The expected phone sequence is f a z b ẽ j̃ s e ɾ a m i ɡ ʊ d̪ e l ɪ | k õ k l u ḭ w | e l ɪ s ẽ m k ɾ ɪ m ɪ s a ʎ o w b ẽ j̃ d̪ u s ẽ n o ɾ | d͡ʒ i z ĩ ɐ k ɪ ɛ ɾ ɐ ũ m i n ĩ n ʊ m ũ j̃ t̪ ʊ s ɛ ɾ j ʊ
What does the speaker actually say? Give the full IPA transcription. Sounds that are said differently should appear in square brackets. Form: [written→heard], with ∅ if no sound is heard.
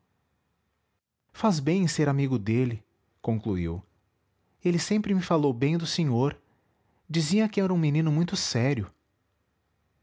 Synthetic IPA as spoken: f a z b ẽ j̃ s e ɾ a m i ɡ ʊ d̪ e l ɪ | k õ k l u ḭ w | e l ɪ s ẽ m [k→p] ɾ ɪ m ɪ [s→f] a [ʎ→l] o w b ẽ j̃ d̪ [u→ʊ] s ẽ [n→ɲ] o ɾ | d͡ʒ i z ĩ ɐ k ɪ ɛ ɾ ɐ ũ m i n ĩ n ʊ m ũ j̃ t̪ ʊ s ɛ ɾ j ʊ